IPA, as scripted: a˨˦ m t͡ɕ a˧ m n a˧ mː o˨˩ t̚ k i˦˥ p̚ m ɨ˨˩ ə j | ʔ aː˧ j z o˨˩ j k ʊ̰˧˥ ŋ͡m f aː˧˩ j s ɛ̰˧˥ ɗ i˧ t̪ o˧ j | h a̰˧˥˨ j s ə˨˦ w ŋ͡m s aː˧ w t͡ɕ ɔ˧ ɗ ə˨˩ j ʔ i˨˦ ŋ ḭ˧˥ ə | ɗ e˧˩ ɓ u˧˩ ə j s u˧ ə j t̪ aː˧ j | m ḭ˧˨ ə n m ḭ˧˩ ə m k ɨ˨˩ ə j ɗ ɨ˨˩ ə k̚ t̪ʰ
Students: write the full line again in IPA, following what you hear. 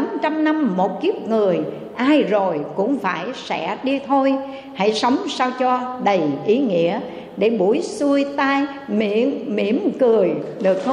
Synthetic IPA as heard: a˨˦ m t͡ɕ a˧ m n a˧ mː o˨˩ t̚ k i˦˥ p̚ ŋ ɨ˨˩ ə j | ʔ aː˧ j z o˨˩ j k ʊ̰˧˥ ŋ͡m f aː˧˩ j s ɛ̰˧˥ ɗ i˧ t̪ʰ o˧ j | h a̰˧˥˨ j s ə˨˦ w ŋ͡m s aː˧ w t͡ɕ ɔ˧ ɗ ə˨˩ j ʔ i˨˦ ŋ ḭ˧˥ ə | ɗ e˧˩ ɓ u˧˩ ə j s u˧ ə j t̪ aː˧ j | m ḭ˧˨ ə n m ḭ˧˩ ə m k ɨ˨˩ ə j ɗ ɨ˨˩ ə k̚ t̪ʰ